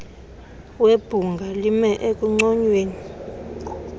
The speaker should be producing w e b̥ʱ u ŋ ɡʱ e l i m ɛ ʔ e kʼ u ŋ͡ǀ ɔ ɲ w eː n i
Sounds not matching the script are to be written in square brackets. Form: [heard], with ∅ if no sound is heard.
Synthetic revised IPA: w e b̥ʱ u ŋ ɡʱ [a] l i m ɛ ʔ e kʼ u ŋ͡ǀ ɔ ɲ w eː n i